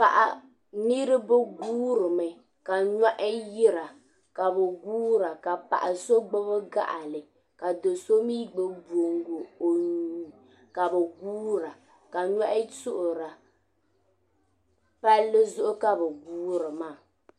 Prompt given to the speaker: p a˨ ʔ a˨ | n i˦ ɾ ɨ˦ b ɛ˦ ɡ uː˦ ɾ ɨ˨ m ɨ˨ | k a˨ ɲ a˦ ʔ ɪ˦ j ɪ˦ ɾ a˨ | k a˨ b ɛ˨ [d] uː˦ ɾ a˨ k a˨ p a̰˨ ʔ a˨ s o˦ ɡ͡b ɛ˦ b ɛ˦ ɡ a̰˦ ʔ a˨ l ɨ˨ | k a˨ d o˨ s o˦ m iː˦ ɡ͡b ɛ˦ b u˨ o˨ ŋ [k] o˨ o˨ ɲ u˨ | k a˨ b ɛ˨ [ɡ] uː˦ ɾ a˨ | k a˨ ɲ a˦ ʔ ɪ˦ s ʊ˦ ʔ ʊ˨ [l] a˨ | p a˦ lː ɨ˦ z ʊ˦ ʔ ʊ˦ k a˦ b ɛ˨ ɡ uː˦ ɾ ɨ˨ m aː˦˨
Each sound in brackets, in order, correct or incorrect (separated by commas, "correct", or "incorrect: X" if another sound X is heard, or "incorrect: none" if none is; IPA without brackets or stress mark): incorrect: ɡ, incorrect: ɡ, correct, incorrect: ɾ